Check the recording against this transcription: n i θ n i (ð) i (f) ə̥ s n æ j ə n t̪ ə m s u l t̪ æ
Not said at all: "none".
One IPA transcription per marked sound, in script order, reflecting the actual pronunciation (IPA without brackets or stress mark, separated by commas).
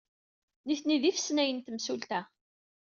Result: ð, f